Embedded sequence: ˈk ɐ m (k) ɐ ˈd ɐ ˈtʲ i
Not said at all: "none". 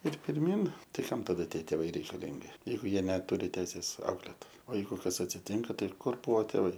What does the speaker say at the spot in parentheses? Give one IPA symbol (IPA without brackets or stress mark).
t